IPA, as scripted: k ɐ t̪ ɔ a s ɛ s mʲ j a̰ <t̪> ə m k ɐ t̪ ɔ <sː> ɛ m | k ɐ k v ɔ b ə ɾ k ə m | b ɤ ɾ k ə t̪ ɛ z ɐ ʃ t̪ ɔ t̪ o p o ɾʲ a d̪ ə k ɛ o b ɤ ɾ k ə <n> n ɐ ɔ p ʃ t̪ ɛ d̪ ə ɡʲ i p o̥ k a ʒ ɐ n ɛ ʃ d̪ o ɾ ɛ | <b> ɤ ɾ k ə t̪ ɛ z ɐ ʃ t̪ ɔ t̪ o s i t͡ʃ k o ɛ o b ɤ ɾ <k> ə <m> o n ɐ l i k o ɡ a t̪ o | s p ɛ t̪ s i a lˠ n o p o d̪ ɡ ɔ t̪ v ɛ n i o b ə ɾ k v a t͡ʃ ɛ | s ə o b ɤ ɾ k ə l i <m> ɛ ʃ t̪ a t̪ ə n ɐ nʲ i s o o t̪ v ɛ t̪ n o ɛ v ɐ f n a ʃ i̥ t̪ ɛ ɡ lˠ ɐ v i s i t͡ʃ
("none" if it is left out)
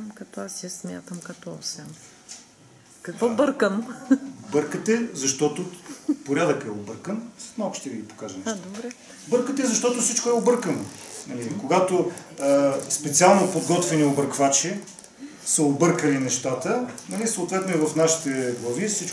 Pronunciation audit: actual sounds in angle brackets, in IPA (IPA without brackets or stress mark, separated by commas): t̪, s, n, b, k, n, n